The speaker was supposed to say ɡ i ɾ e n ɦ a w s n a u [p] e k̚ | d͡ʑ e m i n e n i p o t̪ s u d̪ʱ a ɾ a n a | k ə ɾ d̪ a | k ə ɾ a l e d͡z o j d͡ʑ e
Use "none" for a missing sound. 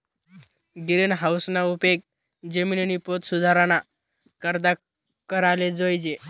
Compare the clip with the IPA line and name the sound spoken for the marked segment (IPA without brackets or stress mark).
p